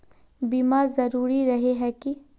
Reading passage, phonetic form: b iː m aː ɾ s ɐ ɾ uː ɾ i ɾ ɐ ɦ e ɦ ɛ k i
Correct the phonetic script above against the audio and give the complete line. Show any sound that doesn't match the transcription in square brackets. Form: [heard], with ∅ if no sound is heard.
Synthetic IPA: b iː m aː ɾ [z] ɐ ɾ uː ɾ i ɾ ɐ ɦ e ɦ ɛ k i